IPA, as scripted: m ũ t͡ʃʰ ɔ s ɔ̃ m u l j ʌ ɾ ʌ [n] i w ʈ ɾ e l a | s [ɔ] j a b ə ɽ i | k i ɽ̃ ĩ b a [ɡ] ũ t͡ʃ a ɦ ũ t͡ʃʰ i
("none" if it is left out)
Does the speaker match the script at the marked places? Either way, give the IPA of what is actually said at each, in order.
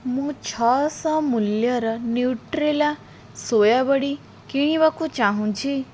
n, o, k

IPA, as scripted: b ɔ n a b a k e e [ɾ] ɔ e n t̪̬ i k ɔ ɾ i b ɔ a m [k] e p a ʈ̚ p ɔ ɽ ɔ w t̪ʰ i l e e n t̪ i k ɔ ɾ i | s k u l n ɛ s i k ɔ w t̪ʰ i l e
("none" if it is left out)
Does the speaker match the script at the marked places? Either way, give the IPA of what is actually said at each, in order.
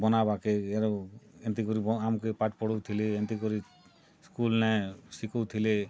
ɾ, k

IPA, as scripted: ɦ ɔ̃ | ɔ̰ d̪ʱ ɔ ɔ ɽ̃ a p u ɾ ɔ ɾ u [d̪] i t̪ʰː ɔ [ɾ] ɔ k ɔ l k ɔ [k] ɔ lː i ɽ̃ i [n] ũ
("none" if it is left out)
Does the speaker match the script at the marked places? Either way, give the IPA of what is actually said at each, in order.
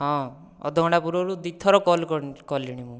d̪, ɾ, k, m

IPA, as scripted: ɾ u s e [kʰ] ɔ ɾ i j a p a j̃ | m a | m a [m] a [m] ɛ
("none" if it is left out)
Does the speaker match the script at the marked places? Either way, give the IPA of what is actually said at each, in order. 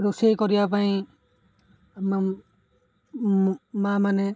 k, m, n

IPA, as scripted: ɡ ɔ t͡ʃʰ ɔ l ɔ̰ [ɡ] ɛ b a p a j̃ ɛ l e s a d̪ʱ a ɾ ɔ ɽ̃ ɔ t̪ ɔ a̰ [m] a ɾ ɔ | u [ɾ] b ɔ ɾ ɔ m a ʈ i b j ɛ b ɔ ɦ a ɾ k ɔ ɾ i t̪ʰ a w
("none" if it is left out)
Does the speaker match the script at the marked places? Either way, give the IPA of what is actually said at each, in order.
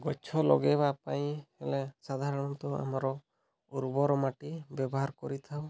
ɡ, m, ɾ

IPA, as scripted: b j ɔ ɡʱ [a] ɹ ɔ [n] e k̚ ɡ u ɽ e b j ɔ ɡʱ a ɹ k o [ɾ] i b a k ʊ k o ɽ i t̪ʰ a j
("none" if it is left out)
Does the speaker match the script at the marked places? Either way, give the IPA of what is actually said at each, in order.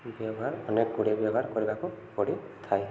a, n, ɹ

